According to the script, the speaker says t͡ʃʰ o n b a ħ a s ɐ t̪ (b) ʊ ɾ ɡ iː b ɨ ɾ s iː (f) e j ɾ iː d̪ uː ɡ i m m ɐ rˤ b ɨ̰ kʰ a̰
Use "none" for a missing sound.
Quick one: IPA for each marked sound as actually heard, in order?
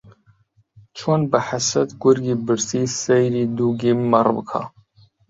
ɡ, s

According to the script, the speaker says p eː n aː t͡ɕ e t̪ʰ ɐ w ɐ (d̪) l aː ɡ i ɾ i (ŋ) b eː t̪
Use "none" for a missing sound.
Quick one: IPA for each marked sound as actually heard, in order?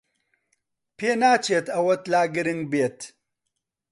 t̪, ŋ

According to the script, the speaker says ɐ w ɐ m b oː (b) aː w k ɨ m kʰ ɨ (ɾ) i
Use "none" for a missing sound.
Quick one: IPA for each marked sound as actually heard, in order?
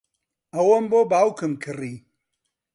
b, r

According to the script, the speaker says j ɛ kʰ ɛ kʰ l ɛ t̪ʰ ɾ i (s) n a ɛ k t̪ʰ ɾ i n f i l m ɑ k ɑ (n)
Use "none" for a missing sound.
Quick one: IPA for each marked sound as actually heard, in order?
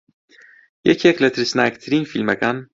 s, n

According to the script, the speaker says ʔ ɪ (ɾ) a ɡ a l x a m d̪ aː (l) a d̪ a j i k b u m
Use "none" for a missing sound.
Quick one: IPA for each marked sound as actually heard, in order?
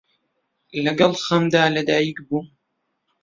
l, l

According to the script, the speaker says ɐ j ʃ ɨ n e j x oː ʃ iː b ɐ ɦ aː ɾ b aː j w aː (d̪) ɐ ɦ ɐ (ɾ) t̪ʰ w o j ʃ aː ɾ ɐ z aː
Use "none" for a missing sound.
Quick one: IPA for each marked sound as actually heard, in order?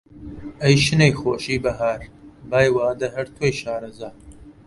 d̪, ɾ

